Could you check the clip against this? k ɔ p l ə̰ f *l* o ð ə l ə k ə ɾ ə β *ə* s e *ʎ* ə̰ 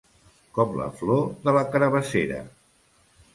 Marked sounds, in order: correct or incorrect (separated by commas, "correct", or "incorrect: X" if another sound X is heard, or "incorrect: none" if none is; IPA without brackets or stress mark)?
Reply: correct, correct, incorrect: ɾ